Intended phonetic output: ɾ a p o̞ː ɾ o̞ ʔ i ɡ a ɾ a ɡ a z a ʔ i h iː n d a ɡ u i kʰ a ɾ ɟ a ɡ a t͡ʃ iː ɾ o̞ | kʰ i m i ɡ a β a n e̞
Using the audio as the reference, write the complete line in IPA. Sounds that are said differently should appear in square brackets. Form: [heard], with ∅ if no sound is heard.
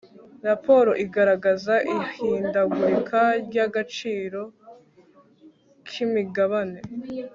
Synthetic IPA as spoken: ɾ a p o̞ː ɾ o̞ ʔ i ɡ a ɾ a ɡ a z a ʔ i h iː n d a ɡ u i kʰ a ɾ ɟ a ɡ a t͡ʃ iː ɾ o̞ | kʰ i m i ɡ a β a n e̞